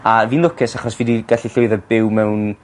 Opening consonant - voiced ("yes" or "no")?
yes